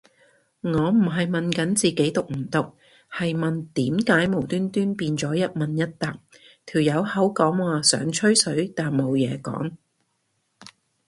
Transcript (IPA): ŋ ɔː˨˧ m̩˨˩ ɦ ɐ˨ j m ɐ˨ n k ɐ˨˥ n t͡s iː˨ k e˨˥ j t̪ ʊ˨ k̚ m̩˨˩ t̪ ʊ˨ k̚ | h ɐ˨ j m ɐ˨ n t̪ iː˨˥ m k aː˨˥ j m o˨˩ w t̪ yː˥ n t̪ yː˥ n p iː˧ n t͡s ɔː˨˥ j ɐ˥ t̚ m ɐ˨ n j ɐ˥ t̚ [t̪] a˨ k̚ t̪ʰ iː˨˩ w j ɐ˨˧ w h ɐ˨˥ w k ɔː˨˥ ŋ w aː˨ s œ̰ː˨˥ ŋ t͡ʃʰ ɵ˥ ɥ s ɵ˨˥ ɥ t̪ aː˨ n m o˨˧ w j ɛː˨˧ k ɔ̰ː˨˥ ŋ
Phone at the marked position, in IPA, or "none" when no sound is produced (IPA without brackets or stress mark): t̪